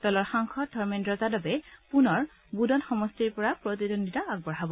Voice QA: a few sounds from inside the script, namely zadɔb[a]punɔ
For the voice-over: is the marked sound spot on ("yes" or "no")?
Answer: no